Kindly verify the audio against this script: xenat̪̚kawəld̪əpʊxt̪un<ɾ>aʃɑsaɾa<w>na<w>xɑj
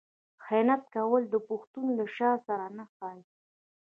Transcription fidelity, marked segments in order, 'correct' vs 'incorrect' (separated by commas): incorrect, incorrect, incorrect